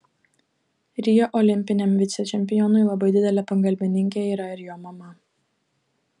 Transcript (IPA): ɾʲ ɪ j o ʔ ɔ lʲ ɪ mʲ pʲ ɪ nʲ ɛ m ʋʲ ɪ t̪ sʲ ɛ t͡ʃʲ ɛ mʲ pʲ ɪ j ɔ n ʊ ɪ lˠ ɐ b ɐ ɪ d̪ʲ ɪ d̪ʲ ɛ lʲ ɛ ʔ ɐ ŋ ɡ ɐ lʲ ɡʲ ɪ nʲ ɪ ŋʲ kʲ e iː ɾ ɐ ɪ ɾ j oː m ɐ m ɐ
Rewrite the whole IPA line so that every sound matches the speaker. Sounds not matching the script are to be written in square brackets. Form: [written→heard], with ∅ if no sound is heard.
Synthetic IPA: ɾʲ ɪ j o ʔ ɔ lʲ ɪ mʲ pʲ ɪ nʲ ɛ m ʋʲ ɪ t̪ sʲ ɛ t͡ʃʲ ɛ mʲ pʲ ɪ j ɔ n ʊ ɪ lˠ ɐ b ɐ ɪ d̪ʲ ɪ d̪ʲ ɛ lʲ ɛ [ʔ→p] ɐ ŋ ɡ ɐ lʲ [ɡʲ→bʲ] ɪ nʲ ɪ ŋʲ kʲ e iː ɾ ɐ ɪ ɾ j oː m ɐ m ɐ